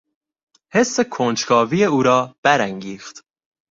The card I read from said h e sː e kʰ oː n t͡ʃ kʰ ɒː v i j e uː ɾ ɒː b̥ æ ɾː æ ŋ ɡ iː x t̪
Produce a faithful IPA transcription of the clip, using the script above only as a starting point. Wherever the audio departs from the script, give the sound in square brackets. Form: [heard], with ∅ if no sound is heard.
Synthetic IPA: h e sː e kʰ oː n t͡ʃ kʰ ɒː v i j e uː ɾ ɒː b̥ æ [ɾ] æ ŋ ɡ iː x t̪